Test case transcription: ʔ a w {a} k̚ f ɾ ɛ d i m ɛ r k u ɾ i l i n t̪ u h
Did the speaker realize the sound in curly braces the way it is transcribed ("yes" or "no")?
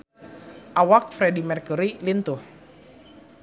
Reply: yes